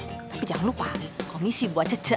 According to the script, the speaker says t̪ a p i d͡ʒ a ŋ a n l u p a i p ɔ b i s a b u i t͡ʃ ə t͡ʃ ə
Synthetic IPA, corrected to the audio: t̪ a p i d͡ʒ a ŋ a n l u p a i k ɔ m i s i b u a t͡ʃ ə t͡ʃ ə